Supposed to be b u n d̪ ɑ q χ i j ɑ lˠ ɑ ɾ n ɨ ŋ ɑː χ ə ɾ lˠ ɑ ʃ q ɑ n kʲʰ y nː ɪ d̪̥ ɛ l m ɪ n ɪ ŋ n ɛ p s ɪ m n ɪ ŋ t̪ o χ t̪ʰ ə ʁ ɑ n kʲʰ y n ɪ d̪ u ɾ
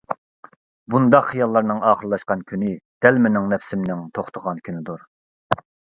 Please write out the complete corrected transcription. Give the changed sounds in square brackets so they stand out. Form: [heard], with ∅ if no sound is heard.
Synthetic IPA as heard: b u n d̪ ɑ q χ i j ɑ [lˠː] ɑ ɾ n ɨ ŋ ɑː χ ə ɾ lˠ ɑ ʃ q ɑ n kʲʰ y [n] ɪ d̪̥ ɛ l m ɪ n ɪ ŋ n ɛ p s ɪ m n ɪ ŋ [t̪ʰ] o χ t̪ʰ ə ʁ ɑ n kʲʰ y n ɪ d̪ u ɾ